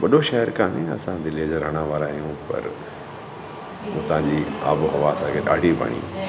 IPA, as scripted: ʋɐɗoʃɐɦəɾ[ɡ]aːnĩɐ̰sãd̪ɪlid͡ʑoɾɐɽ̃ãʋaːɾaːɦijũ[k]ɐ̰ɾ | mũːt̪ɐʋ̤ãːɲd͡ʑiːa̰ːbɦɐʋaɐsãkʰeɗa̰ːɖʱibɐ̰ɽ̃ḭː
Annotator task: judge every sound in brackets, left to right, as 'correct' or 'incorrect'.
incorrect: k, incorrect: p

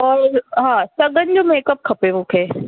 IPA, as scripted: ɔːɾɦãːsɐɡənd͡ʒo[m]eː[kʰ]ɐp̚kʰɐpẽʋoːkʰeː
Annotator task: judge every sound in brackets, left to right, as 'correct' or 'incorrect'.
correct, incorrect: k

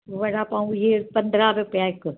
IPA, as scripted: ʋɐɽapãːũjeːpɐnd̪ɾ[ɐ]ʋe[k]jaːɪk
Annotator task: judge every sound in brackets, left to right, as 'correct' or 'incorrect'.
incorrect: a, incorrect: p

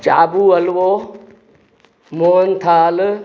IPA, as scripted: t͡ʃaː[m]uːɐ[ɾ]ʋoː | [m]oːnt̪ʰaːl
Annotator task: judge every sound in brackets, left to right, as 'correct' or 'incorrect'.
incorrect: b, incorrect: l, correct

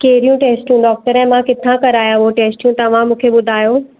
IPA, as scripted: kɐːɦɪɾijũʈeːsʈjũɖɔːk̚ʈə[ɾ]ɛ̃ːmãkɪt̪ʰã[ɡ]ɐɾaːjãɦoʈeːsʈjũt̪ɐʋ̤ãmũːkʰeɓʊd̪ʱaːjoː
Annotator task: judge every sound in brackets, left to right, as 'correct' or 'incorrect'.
correct, incorrect: k

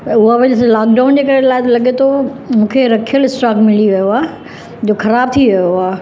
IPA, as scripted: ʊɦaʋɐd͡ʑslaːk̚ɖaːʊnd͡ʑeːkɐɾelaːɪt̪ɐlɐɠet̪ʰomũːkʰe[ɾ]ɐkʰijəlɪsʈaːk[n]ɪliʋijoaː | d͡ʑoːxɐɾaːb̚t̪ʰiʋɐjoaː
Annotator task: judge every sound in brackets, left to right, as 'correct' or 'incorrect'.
correct, incorrect: m

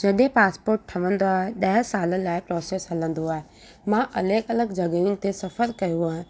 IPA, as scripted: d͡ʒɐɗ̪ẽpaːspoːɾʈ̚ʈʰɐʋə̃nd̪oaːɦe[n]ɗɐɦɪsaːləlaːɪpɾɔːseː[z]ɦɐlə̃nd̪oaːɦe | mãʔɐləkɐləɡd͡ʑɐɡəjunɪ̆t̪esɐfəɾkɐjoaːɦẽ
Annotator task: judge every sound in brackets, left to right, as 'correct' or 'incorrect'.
incorrect: none, incorrect: s

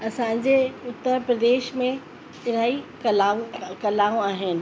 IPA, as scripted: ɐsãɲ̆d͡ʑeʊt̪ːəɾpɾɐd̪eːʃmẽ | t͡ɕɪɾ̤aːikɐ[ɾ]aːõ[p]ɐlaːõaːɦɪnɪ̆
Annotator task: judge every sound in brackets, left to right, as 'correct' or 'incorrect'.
incorrect: l, incorrect: k

